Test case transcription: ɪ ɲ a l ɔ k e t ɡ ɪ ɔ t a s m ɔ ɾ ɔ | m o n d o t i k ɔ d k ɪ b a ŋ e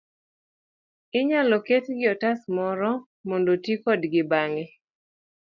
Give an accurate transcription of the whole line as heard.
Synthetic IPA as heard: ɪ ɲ a l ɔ k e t ɡ ɪ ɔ t a s m ɔ ɾ ɔ | m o n d o t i k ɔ d ɡ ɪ b a ŋ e